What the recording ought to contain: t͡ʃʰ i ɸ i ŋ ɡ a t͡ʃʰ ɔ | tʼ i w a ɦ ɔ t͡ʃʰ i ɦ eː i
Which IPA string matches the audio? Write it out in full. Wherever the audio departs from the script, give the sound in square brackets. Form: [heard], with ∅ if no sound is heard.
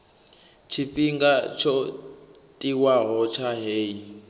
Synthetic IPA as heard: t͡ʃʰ i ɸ i ŋ ɡ a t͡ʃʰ ɔ | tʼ i w a ɦ ɔ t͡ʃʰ [a] ɦ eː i